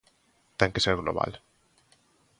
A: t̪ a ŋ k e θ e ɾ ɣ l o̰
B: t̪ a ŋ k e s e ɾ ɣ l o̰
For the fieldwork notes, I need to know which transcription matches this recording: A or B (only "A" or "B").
B